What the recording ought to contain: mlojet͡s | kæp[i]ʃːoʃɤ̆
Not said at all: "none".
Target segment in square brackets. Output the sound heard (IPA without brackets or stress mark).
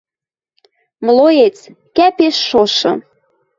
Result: e